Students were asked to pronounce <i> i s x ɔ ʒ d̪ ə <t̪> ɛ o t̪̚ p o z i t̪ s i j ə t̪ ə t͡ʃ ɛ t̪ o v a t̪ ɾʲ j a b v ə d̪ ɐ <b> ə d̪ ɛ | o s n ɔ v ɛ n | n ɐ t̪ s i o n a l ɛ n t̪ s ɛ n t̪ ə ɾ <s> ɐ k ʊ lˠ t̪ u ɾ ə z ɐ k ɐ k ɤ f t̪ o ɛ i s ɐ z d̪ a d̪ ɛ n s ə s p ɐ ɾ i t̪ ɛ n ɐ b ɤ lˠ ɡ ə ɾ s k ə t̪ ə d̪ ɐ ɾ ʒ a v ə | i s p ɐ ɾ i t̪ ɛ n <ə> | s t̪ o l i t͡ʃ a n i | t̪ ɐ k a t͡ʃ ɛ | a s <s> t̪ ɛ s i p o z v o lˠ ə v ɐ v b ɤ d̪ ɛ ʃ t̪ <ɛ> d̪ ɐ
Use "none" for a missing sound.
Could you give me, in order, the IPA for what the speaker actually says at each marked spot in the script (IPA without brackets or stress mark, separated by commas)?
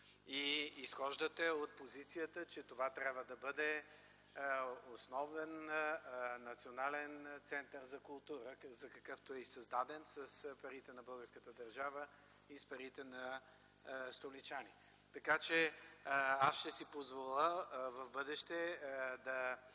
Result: i, t̪, b, z, ɐ, ʃ, ɛ